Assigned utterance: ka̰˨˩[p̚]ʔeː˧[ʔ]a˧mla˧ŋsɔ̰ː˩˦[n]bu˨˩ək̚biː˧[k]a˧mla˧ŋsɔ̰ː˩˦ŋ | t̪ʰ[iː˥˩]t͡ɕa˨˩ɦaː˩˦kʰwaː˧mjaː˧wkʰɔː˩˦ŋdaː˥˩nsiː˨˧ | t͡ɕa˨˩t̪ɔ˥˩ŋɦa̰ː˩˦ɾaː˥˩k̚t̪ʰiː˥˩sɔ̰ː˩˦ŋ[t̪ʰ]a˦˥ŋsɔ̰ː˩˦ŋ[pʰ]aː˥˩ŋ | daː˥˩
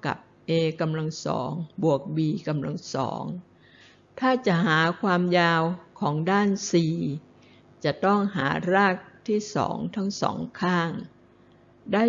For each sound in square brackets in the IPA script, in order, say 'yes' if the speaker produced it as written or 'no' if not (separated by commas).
yes, no, no, yes, no, yes, no